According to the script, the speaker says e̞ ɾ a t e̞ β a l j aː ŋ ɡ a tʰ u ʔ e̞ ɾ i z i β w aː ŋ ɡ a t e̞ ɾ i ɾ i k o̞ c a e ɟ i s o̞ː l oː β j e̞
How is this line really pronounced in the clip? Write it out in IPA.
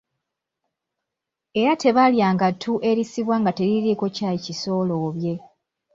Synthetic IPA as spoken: e̞ ɾ a t e̞ β a l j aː ŋ ɡ a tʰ u ʔ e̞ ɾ i s i β w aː ŋ ɡ a t e̞ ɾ i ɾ i k o̞ c a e c i s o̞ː l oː β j e̞